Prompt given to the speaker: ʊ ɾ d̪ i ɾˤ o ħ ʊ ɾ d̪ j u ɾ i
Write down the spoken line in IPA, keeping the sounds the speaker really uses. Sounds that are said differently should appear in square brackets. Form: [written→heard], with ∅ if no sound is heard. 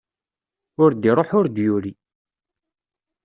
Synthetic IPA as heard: ʊ ɾ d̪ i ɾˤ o ħ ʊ ɾ d̪ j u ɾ i